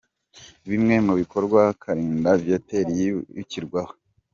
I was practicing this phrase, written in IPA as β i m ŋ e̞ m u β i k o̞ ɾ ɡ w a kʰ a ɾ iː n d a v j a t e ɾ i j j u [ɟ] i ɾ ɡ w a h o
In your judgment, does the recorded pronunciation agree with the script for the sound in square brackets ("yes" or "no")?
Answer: no